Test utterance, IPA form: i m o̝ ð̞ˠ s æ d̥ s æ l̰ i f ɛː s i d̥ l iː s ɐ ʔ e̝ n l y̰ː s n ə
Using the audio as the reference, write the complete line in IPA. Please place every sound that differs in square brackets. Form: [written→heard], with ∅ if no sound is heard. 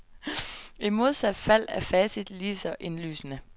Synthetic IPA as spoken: i m o̝ ð̞ˠ s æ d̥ [s→f] æ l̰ [i→æ] f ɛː s i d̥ l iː s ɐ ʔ e̝ n l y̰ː s n ə